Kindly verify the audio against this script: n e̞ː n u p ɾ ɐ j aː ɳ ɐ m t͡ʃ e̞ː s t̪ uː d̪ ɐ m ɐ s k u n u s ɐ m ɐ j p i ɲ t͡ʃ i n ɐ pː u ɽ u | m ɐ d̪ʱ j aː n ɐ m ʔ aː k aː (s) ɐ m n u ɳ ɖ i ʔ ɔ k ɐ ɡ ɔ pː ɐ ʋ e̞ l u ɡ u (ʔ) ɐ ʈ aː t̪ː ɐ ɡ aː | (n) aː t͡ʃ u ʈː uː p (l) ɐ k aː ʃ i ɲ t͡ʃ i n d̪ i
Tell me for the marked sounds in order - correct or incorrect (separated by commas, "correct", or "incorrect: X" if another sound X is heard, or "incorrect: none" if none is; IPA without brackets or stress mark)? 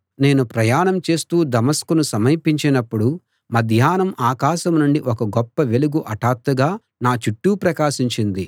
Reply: incorrect: ʃ, correct, correct, incorrect: ɾ